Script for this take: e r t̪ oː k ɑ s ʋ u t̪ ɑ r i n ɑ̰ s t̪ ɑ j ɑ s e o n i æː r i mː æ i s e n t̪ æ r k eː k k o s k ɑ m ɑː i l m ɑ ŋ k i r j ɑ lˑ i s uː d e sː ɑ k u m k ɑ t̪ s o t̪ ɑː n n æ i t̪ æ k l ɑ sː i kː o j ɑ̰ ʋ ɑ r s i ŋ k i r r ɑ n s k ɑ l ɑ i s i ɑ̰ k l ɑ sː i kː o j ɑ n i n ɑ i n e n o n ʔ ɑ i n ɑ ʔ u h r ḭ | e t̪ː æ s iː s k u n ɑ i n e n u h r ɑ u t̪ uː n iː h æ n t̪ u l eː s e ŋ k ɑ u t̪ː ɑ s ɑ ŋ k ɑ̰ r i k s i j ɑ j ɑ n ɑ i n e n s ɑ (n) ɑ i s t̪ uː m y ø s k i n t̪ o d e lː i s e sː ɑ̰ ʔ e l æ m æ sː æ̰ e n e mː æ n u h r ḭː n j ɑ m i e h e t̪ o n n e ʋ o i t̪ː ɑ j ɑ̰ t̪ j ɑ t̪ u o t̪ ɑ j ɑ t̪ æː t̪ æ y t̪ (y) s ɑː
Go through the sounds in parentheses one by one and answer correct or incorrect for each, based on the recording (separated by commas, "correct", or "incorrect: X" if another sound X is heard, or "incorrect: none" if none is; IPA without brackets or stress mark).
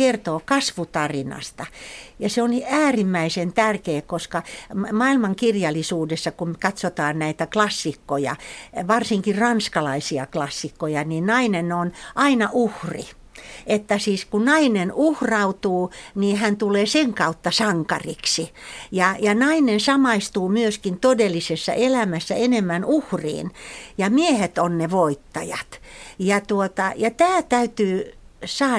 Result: incorrect: m, incorrect: yː